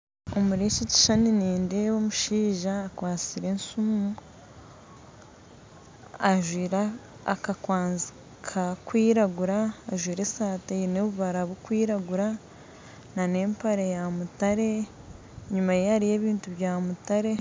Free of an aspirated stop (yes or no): no